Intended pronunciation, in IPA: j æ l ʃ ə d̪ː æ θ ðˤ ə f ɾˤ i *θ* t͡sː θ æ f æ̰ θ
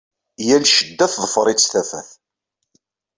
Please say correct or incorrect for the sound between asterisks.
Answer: incorrect: none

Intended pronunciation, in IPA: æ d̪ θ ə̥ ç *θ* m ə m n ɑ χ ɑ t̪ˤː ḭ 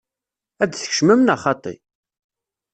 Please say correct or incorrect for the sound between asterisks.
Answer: incorrect: ʃ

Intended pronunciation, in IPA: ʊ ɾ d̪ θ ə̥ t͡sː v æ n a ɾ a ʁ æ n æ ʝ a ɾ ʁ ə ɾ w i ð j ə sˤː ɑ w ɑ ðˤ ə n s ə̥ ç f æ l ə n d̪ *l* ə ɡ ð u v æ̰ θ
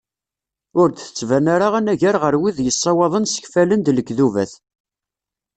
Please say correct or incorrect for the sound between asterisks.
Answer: correct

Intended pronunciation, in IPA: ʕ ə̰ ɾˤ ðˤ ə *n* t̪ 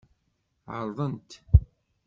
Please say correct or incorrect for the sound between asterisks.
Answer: correct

